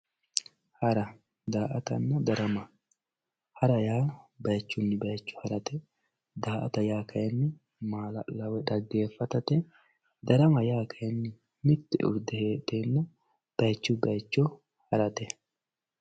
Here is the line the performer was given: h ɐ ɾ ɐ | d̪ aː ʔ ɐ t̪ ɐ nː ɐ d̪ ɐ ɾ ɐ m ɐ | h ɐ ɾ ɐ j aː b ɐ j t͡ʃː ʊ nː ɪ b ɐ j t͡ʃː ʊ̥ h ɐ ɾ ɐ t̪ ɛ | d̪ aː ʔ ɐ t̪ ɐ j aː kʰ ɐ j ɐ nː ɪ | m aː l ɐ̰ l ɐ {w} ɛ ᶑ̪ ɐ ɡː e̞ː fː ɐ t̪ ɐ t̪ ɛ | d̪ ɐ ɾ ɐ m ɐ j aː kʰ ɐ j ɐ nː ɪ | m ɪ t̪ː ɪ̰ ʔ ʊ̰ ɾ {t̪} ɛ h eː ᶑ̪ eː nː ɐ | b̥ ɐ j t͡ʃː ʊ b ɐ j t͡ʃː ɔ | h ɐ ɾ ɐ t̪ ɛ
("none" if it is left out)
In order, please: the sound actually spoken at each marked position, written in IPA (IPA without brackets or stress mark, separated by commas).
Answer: w, d̪